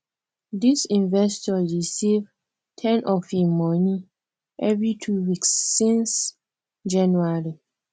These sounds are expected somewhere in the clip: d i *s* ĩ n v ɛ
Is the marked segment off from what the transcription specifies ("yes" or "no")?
no